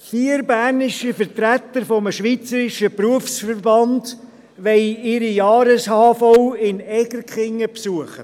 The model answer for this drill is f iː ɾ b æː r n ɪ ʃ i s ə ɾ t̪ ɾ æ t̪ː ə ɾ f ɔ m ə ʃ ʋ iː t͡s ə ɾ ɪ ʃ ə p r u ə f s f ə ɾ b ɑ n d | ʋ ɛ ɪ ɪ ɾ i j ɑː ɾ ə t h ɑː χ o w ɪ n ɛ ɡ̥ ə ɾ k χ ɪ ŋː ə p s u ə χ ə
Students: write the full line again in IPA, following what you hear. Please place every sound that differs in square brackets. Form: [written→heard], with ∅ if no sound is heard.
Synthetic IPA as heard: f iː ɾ b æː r n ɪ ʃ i [s→f] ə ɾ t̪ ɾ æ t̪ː ə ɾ f ɔ m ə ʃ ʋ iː t͡s ə ɾ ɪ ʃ ə p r u ə f s f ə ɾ b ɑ n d | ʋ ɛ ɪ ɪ ɾ i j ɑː ɾ ə [t→s] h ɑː [χ→f] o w ɪ n ɛ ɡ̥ ə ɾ k χ ɪ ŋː ə p s u ə χ ə